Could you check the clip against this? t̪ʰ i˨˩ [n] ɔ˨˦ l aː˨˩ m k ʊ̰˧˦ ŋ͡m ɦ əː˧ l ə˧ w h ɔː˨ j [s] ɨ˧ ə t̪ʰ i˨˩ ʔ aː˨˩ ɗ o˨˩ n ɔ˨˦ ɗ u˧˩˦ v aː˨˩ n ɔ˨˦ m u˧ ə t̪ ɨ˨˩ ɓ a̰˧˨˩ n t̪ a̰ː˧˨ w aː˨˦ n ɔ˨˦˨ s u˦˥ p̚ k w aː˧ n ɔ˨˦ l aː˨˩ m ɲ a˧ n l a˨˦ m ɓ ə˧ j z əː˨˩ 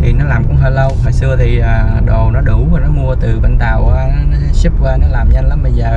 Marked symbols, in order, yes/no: yes, yes

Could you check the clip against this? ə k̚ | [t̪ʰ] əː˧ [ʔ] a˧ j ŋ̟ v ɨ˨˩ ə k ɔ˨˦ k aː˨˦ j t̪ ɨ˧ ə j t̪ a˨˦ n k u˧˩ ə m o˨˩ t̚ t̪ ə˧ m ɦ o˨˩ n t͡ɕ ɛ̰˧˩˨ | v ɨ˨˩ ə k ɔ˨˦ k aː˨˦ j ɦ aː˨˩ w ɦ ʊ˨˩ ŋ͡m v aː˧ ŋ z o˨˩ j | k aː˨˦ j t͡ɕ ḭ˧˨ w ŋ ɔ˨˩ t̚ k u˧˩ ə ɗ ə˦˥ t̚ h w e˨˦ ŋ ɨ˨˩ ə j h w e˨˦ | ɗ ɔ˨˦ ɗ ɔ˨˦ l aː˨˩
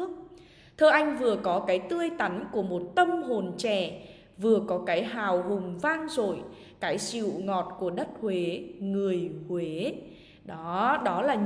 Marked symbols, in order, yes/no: yes, yes

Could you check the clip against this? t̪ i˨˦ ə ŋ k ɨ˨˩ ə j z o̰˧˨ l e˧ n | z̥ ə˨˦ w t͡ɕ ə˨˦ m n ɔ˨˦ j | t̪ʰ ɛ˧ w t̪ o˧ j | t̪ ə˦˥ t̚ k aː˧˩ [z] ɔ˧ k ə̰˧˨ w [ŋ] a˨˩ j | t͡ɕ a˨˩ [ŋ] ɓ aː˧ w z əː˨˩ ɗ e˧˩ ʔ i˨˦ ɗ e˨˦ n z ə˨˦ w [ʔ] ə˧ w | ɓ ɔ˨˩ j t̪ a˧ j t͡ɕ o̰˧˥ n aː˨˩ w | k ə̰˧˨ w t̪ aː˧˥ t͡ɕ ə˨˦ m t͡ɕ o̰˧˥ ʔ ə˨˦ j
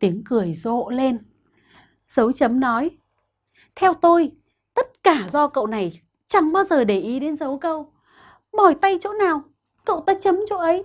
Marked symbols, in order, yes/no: yes, no, yes, no

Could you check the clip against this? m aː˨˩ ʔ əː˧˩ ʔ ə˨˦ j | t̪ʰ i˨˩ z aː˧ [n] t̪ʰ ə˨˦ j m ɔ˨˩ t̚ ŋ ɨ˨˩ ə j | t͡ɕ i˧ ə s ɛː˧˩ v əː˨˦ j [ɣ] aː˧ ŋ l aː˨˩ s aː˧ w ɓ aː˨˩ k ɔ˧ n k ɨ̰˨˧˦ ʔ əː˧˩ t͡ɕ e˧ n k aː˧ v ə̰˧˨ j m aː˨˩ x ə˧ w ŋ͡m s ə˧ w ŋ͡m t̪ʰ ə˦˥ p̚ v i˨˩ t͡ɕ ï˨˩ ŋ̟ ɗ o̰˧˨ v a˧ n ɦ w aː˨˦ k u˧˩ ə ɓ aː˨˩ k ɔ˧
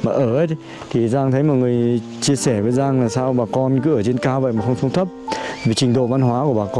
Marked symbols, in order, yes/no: no, no

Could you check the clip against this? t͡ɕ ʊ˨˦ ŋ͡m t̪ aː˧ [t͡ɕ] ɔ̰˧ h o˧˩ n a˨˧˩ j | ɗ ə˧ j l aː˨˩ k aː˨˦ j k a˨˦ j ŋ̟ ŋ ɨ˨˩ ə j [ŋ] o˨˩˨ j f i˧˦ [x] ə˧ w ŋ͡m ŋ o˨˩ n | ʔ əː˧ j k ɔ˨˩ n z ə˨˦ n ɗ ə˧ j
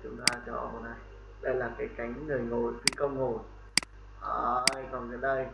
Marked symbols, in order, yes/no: yes, yes, no

